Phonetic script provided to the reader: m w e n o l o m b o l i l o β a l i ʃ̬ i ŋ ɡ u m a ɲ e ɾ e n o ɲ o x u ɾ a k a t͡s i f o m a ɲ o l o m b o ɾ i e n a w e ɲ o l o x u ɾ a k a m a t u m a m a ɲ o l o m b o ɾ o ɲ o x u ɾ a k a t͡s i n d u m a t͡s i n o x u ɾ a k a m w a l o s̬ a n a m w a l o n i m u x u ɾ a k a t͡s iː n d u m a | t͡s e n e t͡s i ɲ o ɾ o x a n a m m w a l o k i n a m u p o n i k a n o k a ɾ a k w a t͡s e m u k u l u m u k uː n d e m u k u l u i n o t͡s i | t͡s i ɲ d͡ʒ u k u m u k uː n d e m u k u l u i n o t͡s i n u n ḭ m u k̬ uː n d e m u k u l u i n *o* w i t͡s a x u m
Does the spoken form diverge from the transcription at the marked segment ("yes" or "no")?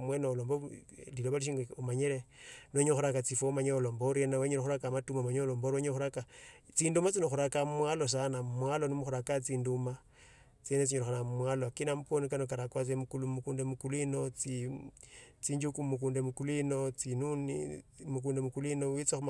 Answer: no